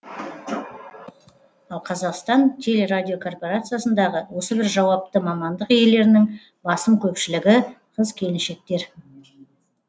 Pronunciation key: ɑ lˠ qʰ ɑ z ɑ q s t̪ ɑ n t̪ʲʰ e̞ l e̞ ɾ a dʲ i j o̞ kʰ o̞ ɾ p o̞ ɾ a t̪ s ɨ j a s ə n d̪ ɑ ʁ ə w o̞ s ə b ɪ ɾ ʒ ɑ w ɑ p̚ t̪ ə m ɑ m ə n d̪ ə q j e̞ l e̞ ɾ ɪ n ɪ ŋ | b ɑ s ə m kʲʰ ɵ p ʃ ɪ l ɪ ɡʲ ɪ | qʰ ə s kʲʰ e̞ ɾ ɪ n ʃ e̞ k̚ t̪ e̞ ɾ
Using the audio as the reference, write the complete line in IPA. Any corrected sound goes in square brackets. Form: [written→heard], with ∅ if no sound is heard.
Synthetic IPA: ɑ lˠ qʰ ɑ z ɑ q s t̪ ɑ n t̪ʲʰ e̞ l e̞ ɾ a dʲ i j o̞ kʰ o̞ [ɾ→r] p o̞ ɾ a t̪ s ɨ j a s ə n d̪ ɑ ʁ ə w o̞ s ə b ɪ ɾ ʒ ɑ w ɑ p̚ t̪ ə m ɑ m [ə→ɑ] n d̪ ə q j e̞ l e̞ ɾ ɪ n ɪ ŋ | b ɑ s ə m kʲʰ ɵ p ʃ ɪ l ɪ ɡʲ ɪ | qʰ ə [s→z] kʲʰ e̞ [ɾ→l] ɪ n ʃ e̞ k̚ t̪ e̞ ɾ